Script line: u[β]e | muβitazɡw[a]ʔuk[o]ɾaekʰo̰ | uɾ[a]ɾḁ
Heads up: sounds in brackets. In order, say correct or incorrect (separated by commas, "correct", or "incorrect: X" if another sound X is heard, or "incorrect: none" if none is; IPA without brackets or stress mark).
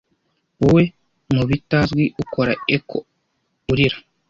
incorrect: w, incorrect: i, correct, incorrect: i